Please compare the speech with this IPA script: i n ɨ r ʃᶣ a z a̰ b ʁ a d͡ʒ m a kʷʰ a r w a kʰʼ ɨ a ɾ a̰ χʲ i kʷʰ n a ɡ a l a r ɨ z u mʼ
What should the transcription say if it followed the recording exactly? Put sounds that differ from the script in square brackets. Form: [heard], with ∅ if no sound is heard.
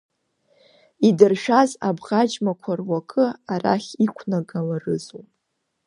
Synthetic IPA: i [d] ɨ r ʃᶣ a z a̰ b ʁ a d͡ʒ m a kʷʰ a r w a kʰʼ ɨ a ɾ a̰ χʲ i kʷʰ n a ɡ a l a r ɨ z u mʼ